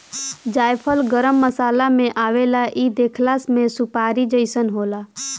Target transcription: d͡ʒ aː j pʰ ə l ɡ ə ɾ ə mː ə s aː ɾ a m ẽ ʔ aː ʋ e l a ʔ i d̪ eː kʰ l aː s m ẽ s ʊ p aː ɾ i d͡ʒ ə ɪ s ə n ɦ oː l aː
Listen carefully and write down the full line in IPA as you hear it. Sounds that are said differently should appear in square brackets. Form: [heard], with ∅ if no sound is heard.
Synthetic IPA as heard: d͡ʒ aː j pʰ ə l ɡ ə ɾ ə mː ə s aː [l] a m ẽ ʔ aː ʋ e l a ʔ i d̪ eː kʰ l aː s m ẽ s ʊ p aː ɾ i d͡ʒ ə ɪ s ə n ɦ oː l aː